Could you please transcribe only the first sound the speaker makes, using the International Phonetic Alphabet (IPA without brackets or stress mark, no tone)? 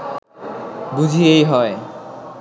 b